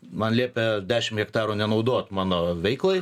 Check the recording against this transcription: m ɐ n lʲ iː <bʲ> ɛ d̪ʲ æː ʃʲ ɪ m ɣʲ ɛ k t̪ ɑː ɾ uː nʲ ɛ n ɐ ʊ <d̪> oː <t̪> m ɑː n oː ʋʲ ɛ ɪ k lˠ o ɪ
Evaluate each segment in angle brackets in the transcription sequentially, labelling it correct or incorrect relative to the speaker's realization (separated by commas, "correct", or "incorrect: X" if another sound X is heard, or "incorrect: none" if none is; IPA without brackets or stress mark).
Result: incorrect: pʲ, correct, correct